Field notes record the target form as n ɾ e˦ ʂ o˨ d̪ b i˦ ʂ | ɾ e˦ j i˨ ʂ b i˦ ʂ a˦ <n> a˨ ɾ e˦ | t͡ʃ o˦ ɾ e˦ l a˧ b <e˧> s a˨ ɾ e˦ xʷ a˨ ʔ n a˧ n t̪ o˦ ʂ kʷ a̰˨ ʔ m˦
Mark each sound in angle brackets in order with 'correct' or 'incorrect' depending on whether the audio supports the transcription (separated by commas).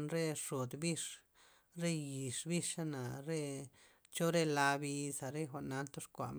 correct, incorrect